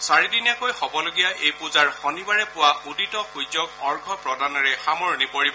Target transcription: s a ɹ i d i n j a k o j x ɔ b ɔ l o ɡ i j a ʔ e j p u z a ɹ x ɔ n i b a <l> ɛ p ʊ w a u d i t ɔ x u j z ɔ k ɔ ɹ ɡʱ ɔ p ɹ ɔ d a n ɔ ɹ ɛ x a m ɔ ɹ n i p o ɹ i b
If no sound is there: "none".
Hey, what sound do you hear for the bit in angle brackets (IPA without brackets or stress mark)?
ɹ